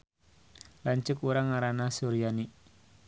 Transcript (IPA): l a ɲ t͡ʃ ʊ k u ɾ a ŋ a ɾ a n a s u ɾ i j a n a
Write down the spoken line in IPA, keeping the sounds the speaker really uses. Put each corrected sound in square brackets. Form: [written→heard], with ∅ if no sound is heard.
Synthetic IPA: l a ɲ t͡ʃ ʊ k u ɾ a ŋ a ɾ a n a s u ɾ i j a n [a→i]

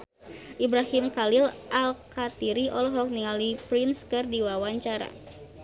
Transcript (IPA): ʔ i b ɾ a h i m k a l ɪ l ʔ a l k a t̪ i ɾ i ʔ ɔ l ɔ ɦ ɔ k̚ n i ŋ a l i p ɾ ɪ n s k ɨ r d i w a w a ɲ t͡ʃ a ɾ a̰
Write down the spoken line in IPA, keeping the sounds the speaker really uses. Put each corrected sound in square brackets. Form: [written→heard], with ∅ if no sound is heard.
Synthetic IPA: ʔ i b ɾ a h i m k a l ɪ l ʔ a l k a t̪ i ɾ i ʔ ɔ l ɔ ɦ ɔ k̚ n i ŋ a l i p ɾ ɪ n s k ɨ r d i w a w a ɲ t͡ʃ a ɾ a̰

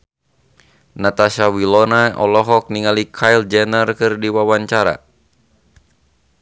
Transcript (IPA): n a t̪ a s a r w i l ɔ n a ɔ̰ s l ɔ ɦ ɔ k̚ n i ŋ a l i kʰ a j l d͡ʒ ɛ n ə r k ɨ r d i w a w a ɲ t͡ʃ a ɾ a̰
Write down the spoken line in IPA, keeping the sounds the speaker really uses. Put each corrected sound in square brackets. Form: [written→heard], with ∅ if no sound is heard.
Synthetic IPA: n a t̪ a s a [r→∅] w i l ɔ n a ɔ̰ [s→∅] l ɔ ɦ ɔ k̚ n i ŋ a l i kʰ a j l d͡ʒ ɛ n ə r k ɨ r d i w a w a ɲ t͡ʃ a ɾ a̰

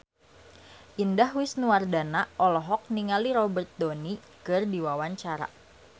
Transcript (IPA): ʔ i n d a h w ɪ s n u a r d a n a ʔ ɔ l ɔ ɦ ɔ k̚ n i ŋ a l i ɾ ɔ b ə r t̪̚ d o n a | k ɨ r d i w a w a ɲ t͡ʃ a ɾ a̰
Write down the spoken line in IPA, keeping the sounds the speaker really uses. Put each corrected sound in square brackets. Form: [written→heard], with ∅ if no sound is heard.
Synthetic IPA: ʔ i n d a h w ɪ s n u a r d a n a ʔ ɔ l ɔ ɦ ɔ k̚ n i ŋ a l i ɾ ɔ b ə r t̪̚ d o n [a→i] | k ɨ r d i w a w a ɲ t͡ʃ a ɾ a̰

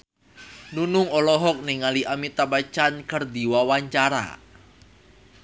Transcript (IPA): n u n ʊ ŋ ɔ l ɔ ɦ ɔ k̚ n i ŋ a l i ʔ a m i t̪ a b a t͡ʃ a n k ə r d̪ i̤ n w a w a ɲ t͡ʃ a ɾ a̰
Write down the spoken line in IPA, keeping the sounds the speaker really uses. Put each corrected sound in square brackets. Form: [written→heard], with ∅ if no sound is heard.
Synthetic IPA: n u n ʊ ŋ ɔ l ɔ ɦ ɔ k̚ n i ŋ a l i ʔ a m i t̪ a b a t͡ʃ a n k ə r d̪ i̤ [n→∅] w a w a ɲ t͡ʃ a ɾ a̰

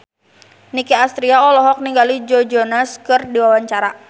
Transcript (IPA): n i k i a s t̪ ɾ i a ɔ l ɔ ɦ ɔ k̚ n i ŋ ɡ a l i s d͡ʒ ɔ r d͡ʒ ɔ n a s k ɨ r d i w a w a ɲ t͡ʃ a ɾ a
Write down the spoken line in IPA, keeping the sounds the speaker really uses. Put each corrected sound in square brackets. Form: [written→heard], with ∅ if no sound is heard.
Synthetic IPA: n i k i a s t̪ ɾ i a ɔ l ɔ ɦ ɔ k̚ n i ŋ ɡ a l i [s→∅] d͡ʒ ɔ [r→∅] d͡ʒ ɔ n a s k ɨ r d i w a w a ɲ t͡ʃ a ɾ a

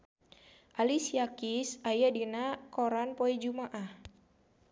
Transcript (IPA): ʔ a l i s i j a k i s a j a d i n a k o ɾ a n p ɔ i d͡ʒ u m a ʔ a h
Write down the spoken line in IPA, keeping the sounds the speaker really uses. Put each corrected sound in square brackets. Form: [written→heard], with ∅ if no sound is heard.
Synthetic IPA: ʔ a l i s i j a k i s a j a d i n a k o ɾ a n p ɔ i d͡ʒ u m a ʔ a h

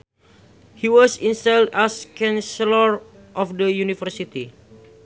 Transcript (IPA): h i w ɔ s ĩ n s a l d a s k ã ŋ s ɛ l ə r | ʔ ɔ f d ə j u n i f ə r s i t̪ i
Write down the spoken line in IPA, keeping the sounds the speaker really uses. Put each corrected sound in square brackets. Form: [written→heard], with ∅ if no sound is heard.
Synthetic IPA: h i w ɔ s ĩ n s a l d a s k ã [ŋ→n] s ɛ l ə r | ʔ ɔ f d ə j u n i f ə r s i t̪ i

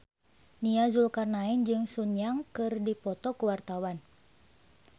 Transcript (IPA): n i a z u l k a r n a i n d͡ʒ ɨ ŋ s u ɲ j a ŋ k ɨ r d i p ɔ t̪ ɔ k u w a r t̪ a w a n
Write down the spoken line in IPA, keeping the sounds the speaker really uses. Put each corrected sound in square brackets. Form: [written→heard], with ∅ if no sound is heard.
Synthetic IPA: n i a z u l k a r n a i n d͡ʒ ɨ ŋ s u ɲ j a ŋ k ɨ r d i p ɔ t̪ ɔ k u w a r t̪ a w a n

